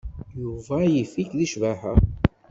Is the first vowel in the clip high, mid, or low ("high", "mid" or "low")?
high